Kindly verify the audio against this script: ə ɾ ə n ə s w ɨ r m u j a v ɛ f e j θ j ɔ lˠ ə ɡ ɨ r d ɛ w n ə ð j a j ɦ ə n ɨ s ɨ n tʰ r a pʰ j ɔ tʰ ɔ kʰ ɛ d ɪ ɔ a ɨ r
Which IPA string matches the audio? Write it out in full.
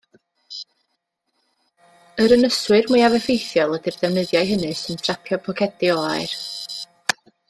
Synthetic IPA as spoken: ə ɾ ə n ə s w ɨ r m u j a v ɛ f e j θ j ɔ lˠ ə d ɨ r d ɛ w n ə ð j a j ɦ ə n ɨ s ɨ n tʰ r a pʰ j ɔ pʰ ɔ kʰ ɛ d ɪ ɔ a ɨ r

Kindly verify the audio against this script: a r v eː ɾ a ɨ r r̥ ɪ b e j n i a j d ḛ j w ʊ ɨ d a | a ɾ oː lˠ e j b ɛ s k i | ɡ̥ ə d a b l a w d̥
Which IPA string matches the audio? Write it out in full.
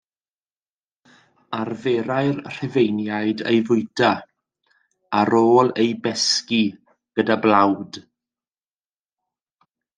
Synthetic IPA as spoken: a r v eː ɾ a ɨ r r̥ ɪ v e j n j a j d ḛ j v ʊ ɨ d a | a ɾ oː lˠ e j b ɛ s k i | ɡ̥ ə d a b l a w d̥

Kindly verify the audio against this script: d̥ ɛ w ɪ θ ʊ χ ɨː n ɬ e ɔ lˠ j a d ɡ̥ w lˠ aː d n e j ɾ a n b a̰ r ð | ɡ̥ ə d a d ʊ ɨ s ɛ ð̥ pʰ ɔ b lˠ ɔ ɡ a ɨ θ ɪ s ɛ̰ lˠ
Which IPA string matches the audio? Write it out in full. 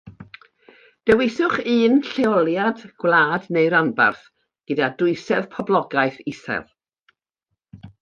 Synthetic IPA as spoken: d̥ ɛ w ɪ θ ʊ χ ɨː n ɬ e ɔ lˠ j a d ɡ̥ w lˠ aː d n e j ɾ a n b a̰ r θ | ɡ̥ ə d a d ʊ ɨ s ɛ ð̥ pʰ ɔ b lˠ ɔ ɡ a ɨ θ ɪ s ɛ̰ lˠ

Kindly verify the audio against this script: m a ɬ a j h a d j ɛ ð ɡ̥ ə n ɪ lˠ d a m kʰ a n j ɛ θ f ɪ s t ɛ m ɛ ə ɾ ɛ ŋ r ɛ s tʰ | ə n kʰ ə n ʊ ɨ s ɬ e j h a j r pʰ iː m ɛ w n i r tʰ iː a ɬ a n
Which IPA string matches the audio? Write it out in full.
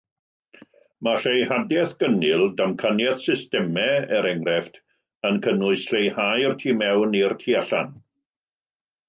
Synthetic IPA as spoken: m a ɬ e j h a d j ɛ θ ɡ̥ ə n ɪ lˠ d a m kʰ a n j ɛ θ s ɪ s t ɛ m ɛ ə ɾ ɛ ŋ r ɛ f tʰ | ə n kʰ ə n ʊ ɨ s ɬ e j h a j r tʰ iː m ɛ w n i r tʰ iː a ɬ a n

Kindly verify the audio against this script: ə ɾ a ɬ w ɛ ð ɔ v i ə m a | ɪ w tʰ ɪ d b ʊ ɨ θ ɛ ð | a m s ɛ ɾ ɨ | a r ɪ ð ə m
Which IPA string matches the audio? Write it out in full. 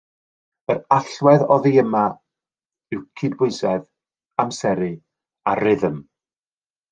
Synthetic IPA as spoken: ə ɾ a ɬ w ɛ ð ɔ ð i ə m a | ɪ w kʰ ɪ d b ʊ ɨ s ɛ ð | a m s ɛ ɾ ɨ | a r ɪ ð ə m

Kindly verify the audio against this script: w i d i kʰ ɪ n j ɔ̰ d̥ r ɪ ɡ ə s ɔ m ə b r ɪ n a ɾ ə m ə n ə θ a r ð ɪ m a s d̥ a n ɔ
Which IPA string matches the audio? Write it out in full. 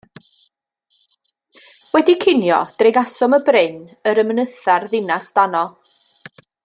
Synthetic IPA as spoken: w ɛ d i kʰ ɪ n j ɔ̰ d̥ r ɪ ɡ a s ɔ m ə b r ɪ n ə ɾ ə m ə n ə θ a r ð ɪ n a s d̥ a n ɔ

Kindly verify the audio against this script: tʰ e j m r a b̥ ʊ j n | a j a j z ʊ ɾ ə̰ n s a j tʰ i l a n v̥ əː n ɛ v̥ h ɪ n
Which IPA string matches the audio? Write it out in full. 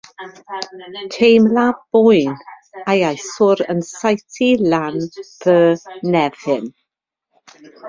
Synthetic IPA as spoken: tʰ e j m l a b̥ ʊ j n | a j a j s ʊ ɾ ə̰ n s a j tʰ i l a n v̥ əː n ɛ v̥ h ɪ n

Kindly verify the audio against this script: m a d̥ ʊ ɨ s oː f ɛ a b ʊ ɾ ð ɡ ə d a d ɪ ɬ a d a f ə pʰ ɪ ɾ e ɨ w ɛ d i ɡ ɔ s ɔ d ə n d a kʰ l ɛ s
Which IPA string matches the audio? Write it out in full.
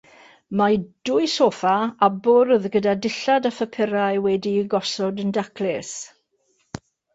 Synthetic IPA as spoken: m a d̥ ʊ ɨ s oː f a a b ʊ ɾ ð ɡ ə d a d ɪ ɬ a d a f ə pʰ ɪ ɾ a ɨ w ɛ d i ɡ ɔ s ɔ d ə n d a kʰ l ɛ s

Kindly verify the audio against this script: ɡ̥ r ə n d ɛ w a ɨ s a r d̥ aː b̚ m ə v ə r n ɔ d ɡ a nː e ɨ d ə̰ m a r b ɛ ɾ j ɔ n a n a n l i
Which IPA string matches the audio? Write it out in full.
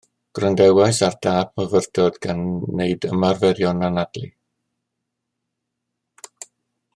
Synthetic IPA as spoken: ɡ̥ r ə n d ɛ w a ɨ s a r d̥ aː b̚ m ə v ə r d ɔ d ɡ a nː e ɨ d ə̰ m a r v ɛ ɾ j ɔ n a n a d l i

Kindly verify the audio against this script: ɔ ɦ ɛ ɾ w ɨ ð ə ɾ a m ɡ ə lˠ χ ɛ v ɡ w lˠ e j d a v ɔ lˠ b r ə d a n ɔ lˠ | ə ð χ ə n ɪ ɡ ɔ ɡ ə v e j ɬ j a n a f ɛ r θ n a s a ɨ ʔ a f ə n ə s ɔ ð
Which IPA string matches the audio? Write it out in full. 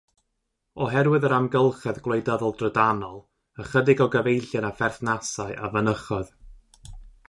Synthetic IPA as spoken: ɔ ɦ ɛ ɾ w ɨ ð ə ɾ a m ɡ ə lˠ χ ɛ ð ɡ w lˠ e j d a ð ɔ lˠ d r ə d a n ɔ lˠ | ə χ ə d ɪ ɡ ɔ ɡ ə v e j ɬ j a n a f ɛ r θ n a s a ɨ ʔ a v ə n ə χ ɔ ð

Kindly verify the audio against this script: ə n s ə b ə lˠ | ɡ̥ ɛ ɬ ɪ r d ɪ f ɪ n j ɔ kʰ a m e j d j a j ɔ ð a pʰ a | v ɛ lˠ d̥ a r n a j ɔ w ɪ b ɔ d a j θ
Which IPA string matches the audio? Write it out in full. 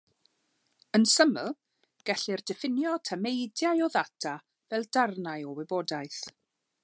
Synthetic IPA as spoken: ə n s ə m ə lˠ | ɡ̥ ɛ ɬ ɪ r d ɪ f ɪ n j ɔ tʰ a m e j d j a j ɔ ð a tʰ a | v ɛ lˠ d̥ a r n a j ɔ w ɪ b ɔ d a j θ

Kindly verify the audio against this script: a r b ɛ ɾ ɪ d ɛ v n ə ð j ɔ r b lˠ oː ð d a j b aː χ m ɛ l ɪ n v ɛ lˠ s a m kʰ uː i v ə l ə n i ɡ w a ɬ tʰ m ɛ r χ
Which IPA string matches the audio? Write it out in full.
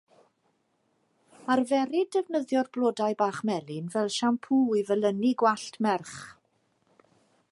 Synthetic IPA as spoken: a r v ɛ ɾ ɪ d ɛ v n ə ð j ɔ r b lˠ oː d a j b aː χ m ɛ l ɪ n v ɛ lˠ ʃ a m pʰ uː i v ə l ə n i ɡ w a ɬ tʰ m ɛ r χ

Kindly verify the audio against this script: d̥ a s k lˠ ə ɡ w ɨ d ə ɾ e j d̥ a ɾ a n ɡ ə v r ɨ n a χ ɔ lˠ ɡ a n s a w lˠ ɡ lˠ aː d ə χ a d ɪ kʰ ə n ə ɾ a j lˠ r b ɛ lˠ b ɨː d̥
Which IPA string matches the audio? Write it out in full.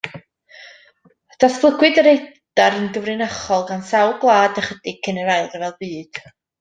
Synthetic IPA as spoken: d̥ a s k lˠ ə ɡ w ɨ d ə ɾ e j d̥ a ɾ ə n ɡ ə v r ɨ n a χ ɔ lˠ ɡ a n s a w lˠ ɡ lˠ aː d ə χ ə d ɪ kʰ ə n ə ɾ a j lˠ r v ɛ lˠ b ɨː d̥

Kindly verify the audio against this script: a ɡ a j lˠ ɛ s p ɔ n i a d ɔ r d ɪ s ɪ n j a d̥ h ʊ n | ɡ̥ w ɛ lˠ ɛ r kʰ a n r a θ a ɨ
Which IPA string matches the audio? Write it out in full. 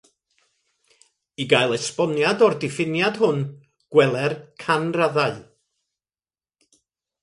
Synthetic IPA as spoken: i ɡ a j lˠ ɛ s p ɔ n j a d ɔ r d ɪ f ɪ n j a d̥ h ʊ n | ɡ̥ w ɛ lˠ ɛ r kʰ a n r a ð a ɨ

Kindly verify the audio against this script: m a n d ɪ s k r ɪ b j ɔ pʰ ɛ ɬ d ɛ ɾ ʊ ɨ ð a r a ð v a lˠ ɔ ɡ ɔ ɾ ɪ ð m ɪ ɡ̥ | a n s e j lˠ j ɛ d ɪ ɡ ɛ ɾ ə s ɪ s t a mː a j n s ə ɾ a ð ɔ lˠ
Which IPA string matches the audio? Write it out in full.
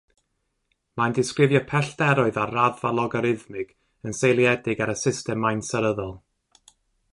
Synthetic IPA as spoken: m a n d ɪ s k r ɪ v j ɔ pʰ ɛ ɬ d ɛ ɾ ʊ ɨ ð a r a ð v a lˠ ɔ ɡ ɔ ɾ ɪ ð m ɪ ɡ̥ | ə n s e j lˠ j ɛ d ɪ ɡ a ɾ ə s ɪ s t ɛ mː a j n s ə ɾ ə ð ɔ lˠ

